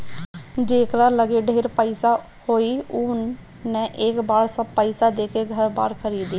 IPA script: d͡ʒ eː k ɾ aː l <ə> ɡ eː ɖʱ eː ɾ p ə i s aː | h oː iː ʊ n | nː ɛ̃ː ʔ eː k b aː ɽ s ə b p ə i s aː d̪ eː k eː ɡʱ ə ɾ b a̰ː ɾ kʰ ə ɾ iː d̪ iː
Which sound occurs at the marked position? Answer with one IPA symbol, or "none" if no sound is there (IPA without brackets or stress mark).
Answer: ə